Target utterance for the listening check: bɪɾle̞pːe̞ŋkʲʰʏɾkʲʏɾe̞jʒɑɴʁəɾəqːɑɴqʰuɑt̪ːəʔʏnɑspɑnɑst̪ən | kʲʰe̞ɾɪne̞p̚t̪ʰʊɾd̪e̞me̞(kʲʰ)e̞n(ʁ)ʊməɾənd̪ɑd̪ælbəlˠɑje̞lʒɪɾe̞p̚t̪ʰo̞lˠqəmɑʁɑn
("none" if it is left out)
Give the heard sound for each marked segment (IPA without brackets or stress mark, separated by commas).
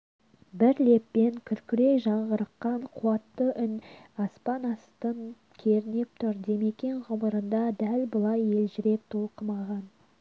kʲ, ʁ